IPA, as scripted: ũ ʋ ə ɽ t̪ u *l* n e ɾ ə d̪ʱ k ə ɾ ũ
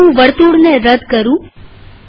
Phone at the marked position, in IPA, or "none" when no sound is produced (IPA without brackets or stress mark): ɽ